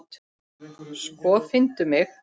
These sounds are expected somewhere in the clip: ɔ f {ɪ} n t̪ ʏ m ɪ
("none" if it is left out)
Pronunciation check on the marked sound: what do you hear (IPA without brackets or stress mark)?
ɪ